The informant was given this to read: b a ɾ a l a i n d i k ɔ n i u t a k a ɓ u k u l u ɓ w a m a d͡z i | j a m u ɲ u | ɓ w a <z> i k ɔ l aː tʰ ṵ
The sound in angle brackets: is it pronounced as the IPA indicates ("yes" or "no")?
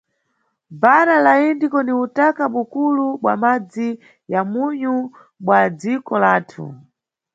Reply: no